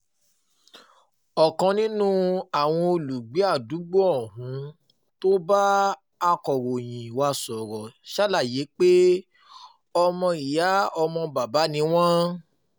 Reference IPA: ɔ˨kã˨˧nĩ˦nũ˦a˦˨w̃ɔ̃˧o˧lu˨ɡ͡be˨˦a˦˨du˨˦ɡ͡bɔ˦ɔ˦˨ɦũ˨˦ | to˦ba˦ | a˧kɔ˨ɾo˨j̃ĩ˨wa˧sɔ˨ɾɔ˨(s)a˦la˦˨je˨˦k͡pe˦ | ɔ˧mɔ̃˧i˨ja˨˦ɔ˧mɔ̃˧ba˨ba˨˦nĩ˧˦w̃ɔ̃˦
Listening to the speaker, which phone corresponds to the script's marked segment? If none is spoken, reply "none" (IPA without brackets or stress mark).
ʃ